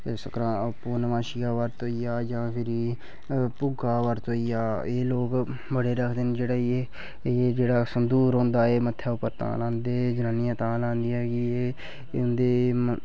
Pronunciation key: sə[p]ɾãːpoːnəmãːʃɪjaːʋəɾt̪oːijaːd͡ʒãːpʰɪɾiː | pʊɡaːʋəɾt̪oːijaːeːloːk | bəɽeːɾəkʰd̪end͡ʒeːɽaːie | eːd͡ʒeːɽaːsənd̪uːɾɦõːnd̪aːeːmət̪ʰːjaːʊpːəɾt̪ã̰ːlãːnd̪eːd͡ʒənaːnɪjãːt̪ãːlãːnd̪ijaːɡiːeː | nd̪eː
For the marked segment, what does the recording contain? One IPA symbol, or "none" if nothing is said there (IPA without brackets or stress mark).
k